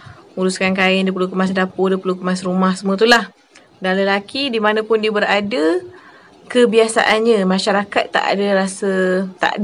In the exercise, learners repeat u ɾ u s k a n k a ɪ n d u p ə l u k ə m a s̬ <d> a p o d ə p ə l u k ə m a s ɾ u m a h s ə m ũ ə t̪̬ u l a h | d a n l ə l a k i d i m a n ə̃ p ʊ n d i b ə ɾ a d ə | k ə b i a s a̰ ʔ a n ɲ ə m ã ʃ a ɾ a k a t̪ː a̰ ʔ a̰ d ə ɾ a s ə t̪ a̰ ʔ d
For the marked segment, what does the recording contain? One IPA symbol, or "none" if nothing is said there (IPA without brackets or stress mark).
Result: d